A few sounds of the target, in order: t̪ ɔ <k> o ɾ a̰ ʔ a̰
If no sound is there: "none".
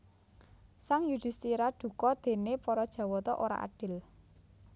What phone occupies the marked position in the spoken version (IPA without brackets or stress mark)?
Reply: ʔ